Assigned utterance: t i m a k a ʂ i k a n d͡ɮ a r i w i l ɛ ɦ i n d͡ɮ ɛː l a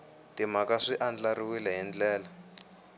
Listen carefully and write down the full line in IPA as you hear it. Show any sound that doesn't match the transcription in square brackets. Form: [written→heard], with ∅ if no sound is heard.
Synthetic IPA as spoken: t i m a k a ʂ i [k→ʔ] a n d͡ɮ a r i w i l ɛ ɦ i n d͡ɮ ɛː l a